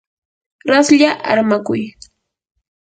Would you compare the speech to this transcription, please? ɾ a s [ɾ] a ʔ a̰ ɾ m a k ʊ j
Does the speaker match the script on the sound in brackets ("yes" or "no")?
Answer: no